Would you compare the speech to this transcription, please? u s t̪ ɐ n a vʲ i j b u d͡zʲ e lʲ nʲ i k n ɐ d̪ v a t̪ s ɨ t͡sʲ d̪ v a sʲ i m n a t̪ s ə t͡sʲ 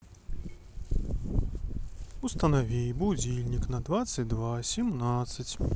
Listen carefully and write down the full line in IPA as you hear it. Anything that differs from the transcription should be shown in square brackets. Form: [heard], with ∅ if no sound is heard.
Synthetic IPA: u s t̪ ɐ n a vʲ i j b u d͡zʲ [i] lʲ nʲ i k n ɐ d̪ v a t̪ s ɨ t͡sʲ d̪ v a sʲ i m n a t̪ s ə t͡sʲ